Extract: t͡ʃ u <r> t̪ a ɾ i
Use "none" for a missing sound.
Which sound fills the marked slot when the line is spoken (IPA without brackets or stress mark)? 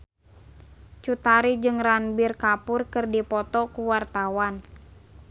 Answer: none